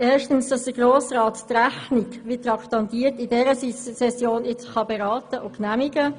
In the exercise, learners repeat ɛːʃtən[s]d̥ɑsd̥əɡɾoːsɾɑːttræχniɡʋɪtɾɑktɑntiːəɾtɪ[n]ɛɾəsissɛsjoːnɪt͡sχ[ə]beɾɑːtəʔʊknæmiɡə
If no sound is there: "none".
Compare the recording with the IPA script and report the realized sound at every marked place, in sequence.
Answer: s, d, ɑ

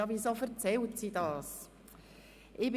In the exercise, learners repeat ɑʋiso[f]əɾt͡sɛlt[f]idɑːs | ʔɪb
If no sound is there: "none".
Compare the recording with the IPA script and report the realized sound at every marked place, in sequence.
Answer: f, s

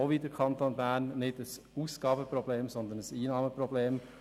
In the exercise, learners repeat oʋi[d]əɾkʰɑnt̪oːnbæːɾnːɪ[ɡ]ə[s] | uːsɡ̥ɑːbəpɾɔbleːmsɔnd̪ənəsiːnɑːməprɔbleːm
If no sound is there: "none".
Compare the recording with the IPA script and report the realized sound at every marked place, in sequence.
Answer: d, d, s

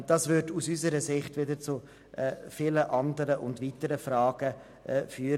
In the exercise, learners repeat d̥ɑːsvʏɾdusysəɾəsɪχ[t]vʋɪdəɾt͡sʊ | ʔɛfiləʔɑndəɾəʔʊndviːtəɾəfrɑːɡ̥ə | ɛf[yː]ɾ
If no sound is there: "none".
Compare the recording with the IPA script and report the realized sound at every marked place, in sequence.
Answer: t, yː

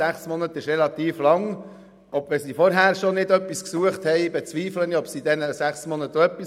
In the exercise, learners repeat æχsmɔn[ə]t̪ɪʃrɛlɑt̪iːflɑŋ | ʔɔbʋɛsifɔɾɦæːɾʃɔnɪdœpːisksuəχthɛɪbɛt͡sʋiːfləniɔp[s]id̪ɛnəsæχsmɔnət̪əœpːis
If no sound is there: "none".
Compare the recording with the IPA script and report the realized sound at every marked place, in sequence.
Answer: ə, s

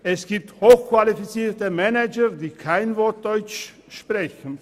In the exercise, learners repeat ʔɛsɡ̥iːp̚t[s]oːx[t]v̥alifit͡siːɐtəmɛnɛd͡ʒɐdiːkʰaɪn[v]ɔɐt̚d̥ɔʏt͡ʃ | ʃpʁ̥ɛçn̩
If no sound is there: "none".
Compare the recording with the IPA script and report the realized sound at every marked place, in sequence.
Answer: h, k, v

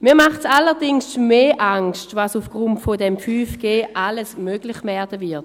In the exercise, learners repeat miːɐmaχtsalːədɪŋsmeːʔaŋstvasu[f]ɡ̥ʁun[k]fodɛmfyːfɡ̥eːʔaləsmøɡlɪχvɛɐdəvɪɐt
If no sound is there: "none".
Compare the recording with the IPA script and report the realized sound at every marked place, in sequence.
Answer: f, t

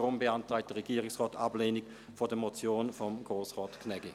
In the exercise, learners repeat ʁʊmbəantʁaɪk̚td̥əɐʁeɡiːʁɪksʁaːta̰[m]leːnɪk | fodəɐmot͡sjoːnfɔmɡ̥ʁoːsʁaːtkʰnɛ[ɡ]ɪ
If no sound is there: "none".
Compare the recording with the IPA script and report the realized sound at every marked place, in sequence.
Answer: b, ɡ

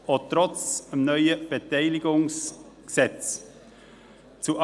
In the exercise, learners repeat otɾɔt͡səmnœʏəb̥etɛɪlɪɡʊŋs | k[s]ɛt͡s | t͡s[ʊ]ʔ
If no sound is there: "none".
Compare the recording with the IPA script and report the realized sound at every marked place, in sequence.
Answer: s, u

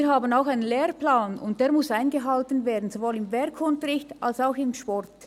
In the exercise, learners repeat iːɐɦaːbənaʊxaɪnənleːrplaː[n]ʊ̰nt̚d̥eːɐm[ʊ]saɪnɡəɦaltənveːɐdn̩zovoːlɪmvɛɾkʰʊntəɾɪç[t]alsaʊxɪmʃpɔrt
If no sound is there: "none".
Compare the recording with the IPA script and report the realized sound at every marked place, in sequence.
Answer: n, ʊ, t

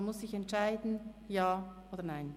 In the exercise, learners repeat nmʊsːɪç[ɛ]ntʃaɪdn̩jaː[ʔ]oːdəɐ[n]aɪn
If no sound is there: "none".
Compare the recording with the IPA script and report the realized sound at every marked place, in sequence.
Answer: ɛ, ʔ, n

